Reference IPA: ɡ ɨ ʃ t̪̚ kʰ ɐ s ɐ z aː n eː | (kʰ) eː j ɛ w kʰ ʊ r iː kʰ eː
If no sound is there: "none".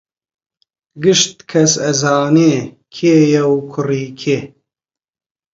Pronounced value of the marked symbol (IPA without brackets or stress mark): kʰ